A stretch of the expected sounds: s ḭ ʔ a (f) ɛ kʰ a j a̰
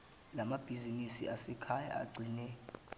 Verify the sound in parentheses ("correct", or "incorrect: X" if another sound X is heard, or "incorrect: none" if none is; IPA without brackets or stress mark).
incorrect: s